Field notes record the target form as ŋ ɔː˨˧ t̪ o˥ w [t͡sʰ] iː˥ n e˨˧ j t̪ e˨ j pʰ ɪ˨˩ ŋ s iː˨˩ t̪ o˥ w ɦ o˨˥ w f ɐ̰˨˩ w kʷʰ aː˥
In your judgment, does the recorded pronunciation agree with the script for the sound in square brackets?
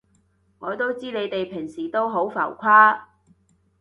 no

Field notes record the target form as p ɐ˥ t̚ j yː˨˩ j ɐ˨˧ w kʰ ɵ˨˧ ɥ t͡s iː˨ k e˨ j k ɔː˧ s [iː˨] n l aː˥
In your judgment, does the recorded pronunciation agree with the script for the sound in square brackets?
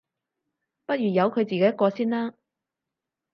no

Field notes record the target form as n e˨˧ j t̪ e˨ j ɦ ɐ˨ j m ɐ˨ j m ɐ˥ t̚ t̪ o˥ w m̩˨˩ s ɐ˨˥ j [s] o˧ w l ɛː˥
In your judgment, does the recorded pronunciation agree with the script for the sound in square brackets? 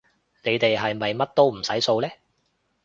yes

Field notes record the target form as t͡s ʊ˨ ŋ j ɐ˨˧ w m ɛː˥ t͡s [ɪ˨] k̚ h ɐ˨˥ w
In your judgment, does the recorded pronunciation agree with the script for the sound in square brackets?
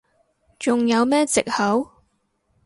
yes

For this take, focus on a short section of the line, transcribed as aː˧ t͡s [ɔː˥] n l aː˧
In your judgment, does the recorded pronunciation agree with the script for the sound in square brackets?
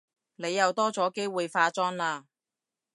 yes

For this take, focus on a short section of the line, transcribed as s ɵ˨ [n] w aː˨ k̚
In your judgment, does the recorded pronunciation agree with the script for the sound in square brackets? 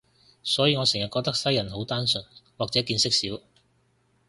yes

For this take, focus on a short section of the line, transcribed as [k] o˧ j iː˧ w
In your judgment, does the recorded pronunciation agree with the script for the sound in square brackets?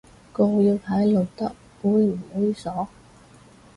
yes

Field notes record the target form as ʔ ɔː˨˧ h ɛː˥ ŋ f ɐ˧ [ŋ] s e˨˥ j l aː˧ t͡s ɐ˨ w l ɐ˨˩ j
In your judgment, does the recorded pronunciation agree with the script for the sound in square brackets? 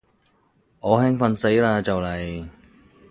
no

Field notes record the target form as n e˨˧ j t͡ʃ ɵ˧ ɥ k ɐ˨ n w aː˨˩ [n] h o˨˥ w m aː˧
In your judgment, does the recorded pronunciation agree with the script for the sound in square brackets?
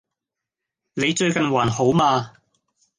yes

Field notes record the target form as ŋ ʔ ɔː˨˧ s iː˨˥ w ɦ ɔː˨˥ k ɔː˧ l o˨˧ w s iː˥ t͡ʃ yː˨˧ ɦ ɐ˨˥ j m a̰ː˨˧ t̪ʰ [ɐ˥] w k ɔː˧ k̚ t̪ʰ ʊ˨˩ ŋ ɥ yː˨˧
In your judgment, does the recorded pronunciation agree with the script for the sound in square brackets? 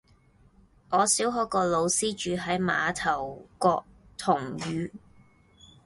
no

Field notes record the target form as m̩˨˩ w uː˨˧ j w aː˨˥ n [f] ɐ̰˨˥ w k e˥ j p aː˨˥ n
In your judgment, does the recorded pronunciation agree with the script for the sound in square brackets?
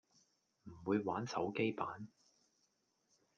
no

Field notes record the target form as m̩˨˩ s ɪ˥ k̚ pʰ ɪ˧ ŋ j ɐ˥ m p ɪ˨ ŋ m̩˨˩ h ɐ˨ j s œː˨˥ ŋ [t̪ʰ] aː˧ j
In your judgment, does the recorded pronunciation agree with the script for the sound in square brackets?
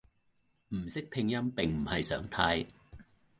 yes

